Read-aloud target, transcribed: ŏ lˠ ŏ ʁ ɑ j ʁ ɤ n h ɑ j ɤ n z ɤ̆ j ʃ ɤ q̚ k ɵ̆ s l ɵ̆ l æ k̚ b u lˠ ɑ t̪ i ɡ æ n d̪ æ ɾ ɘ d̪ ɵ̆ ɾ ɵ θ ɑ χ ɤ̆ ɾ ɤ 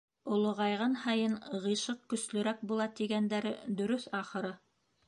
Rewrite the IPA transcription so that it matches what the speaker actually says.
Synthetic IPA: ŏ lˠ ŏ ʁ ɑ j ʁ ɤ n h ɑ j ɤ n ʁ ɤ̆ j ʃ ɤ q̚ k ɵ̆ s l ɵ̆ ɾ æ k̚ b u lˠ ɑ t̪ i ɡ æ n d̪ æ ɾ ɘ d̪ ɵ̆ ɾ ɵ θ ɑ χ ɤ̆ ɾ ɤ

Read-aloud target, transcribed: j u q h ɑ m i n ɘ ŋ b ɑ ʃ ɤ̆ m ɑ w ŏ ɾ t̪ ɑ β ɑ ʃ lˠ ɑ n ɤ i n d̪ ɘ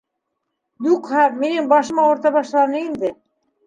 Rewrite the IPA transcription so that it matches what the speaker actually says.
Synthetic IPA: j u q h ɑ m i n ɘ ŋ b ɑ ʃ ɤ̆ m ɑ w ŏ ɾ t̪ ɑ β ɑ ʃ lˠ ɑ n ɤ i n d̪ ɘ

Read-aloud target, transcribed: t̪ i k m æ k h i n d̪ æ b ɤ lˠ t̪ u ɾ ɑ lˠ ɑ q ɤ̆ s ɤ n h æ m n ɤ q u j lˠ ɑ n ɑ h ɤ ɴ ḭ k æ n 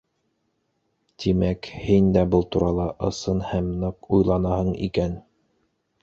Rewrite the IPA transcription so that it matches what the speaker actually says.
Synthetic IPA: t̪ i m æ k h i n d̪ æ b ɤ lˠ t̪ u ɾ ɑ lˠ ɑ ʔ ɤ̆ s ɤ n h æ m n ɤ q u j lˠ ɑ n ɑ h ɤ ɴ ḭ k æ n

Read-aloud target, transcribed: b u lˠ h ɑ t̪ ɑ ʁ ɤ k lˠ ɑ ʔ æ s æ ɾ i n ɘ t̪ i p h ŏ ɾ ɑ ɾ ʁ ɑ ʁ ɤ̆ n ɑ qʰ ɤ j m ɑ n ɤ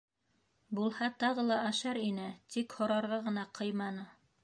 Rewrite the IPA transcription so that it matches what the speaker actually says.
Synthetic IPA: b u lˠ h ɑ t̪ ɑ ʁ ɤ lˠ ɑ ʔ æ ʃ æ ɾ i n ɘ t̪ i k h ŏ ɾ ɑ ɾ ʁ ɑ ʁ ɤ̆ n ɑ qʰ ɤ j m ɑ n ɤ

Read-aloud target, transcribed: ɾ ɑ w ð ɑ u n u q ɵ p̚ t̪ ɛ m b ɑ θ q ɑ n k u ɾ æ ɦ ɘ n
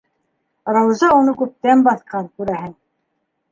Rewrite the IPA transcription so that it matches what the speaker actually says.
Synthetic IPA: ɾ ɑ w z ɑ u n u k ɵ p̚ t̪ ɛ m b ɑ θ q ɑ n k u ɾ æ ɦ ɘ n

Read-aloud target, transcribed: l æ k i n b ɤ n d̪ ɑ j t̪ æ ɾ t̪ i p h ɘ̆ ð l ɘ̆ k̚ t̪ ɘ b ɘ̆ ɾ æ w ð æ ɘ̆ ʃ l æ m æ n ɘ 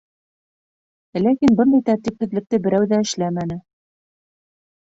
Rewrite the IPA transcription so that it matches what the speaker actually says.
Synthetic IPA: l æ k i n b ɤ n d̪ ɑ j t̪ æ ɾ t̪ i p h ɘ̆ ð l ɘ̆ k̚ t̪ ɘ b ɘ̆ ɾ æ w ð æ ɘ̆ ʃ l æ m æ n ɘ

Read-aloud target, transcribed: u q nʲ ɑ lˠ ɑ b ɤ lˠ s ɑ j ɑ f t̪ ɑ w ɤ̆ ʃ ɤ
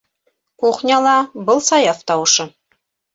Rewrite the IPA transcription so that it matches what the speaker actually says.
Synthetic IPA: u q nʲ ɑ lˠ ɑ b ɤ lˠ s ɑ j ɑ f t̪ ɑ w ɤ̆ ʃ ɤ

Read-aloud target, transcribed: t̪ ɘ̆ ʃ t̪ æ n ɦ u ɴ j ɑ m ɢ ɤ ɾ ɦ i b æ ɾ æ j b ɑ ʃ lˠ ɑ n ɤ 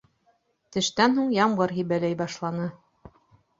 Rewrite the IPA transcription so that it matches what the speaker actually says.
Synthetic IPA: t̪ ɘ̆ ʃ t̪ æ n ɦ u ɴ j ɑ m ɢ ɤ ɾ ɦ i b æ l æ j b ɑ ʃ lˠ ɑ n ɤ

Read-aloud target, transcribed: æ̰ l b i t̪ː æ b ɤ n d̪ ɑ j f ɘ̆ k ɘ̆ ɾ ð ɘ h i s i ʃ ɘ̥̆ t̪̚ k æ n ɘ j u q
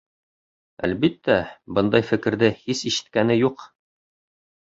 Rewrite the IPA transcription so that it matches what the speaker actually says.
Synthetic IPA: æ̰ l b i t̪ː æ b ɤ n d̪ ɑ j f ɘ̆ k ɘ̆ ɾ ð ɘ h i s i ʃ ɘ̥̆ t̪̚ k æ n ɘ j u q

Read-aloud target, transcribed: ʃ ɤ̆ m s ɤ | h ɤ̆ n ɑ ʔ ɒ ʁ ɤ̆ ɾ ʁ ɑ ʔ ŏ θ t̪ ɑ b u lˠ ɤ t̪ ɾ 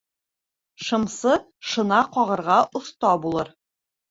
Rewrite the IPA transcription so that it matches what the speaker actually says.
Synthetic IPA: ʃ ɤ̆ m s ɤ | ʃ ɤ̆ n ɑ q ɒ ʁ ɤ̆ ɾ ʁ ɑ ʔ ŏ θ t̪ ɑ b u lˠ ɤ ɾ

